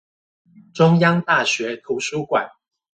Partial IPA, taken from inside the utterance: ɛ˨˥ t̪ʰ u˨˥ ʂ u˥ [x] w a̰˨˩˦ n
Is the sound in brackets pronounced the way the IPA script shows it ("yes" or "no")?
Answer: no